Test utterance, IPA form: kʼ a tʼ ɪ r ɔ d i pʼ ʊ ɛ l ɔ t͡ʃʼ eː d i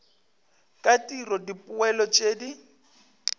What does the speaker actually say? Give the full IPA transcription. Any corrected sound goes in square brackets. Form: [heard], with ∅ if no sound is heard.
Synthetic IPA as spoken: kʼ a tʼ [i] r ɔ d i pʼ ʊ ɛ l ɔ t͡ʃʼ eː d i